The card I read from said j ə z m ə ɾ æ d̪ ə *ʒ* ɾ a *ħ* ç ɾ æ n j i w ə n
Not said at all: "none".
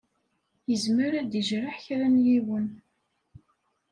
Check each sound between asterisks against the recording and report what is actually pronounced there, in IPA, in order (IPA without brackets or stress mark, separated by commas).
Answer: ʒ, ħ